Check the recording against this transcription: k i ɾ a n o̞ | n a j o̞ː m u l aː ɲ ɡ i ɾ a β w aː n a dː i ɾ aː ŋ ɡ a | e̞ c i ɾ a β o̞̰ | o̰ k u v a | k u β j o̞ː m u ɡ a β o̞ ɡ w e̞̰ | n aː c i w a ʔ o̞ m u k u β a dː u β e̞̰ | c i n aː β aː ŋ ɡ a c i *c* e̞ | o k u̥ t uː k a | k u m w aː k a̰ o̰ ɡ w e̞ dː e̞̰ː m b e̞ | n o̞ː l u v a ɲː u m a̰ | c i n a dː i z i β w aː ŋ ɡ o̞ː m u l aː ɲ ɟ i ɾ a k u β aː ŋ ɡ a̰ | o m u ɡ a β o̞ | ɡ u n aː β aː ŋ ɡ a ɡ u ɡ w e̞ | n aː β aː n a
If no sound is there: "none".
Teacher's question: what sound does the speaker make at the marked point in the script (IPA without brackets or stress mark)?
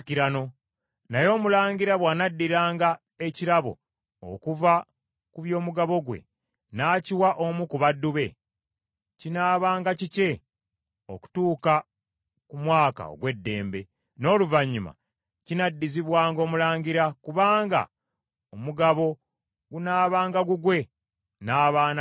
c